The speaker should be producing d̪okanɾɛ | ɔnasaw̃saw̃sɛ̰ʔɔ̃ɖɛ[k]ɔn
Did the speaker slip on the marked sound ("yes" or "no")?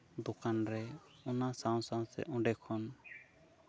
yes